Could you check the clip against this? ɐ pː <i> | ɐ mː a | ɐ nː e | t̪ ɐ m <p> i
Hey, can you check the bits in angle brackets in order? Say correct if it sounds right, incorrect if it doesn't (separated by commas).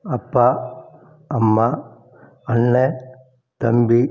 incorrect, incorrect